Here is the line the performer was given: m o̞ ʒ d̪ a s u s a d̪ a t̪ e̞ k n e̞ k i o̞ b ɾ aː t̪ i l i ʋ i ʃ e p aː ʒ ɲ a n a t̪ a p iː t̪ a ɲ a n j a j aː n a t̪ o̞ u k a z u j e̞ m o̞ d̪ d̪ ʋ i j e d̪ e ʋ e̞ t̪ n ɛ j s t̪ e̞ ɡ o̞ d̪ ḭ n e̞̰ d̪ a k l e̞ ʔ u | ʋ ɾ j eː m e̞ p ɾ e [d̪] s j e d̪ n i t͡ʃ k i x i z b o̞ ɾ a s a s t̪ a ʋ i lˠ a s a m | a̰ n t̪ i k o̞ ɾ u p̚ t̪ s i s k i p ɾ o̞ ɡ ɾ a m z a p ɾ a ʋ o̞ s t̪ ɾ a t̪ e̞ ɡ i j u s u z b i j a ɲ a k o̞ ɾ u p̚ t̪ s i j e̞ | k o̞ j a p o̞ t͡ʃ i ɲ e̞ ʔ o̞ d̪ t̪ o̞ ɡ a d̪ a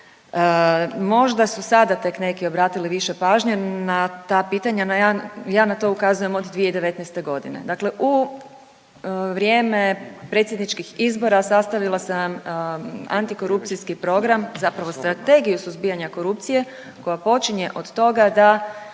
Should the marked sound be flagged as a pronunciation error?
yes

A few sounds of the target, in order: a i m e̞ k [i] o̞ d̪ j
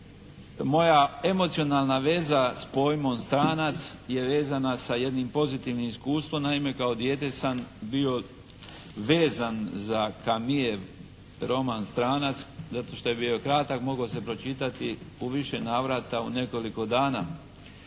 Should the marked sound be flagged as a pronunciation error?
yes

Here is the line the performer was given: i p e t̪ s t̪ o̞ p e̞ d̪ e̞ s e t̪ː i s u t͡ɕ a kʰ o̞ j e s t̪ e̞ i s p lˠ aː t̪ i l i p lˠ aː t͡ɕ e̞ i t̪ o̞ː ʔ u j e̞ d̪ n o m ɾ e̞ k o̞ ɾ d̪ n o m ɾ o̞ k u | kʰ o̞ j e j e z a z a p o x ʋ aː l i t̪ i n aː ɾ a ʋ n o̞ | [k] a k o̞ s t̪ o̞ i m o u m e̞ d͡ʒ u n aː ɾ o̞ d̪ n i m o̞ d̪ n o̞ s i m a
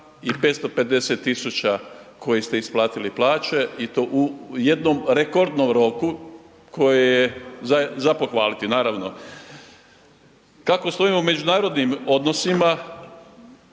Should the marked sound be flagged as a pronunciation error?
no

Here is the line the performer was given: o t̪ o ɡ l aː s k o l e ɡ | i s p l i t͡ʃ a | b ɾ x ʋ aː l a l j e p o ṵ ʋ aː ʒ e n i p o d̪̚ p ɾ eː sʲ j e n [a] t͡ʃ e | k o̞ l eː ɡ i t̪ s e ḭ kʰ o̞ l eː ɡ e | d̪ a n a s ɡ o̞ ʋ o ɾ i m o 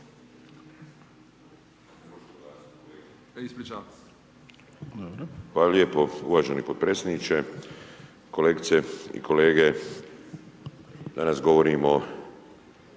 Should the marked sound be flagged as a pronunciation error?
yes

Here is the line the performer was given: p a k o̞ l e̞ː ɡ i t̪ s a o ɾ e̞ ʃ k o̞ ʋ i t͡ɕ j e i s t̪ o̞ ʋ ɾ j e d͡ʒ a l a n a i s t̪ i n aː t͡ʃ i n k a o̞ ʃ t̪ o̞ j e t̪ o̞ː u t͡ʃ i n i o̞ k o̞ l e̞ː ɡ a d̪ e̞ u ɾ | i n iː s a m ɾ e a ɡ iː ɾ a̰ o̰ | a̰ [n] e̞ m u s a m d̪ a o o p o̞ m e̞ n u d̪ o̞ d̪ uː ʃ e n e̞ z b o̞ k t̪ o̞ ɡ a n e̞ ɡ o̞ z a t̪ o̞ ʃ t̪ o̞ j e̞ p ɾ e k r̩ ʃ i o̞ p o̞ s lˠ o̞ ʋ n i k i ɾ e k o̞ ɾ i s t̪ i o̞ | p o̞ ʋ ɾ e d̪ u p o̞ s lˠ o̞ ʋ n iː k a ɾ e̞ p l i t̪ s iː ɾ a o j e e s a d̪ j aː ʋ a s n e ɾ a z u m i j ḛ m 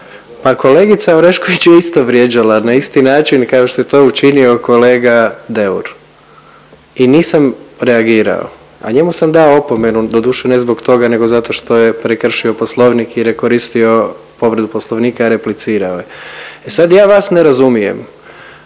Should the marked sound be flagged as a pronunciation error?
yes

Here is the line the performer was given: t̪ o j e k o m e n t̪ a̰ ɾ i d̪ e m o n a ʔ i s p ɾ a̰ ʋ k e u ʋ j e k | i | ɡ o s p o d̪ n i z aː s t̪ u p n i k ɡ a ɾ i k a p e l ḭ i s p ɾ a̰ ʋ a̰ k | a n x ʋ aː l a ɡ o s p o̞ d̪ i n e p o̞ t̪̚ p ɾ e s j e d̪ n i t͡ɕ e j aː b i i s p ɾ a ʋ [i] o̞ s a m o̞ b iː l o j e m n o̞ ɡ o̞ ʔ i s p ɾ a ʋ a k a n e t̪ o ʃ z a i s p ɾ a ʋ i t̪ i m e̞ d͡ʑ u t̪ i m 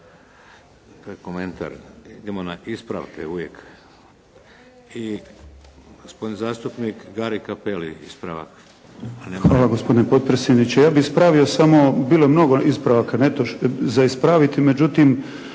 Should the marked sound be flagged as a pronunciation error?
no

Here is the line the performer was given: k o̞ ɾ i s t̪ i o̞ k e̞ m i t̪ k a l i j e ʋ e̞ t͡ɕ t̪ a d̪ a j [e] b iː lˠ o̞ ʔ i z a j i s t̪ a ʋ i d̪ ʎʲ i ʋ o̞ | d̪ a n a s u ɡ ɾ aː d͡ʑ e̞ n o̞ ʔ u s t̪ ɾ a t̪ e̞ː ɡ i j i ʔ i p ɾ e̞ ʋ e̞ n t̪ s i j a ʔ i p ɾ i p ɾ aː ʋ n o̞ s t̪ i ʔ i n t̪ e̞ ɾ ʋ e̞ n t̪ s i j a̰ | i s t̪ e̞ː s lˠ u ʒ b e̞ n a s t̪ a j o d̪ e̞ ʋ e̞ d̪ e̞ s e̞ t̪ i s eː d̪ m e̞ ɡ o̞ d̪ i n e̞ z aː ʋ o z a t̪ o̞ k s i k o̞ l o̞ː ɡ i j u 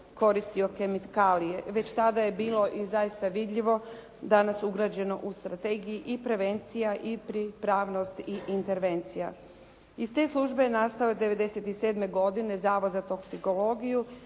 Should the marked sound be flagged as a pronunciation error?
no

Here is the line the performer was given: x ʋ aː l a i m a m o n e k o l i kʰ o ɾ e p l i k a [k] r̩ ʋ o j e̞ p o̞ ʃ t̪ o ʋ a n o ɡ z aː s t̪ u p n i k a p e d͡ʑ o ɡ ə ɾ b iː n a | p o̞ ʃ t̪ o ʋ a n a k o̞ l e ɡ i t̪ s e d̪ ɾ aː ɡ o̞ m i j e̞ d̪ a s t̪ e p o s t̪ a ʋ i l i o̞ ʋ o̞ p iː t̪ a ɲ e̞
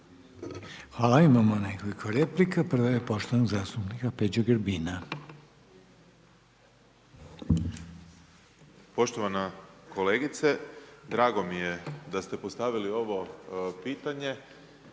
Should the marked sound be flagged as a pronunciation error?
yes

